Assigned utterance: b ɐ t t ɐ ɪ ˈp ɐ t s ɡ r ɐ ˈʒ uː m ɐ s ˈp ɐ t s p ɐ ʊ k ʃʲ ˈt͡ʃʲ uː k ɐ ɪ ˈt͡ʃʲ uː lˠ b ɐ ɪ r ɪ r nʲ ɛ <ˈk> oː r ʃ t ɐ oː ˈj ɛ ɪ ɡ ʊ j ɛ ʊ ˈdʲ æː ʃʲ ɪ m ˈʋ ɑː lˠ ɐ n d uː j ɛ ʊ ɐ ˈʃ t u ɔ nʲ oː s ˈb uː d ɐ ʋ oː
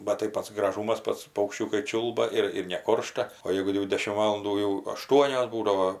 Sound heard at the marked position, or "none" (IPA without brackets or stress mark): k